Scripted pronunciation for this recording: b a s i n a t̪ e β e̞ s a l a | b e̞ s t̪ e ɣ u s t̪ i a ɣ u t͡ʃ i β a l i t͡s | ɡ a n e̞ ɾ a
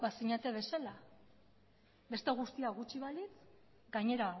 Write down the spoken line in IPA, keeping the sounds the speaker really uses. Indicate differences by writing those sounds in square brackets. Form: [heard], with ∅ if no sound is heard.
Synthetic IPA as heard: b a s i [ɲ] a t̪ e β e̞ s a l a | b e̞ s t̪ e ɣ u s t̪ i a ɣ u t͡ʃ i β a l i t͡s | ɡ a [ɲ] e̞ ɾ a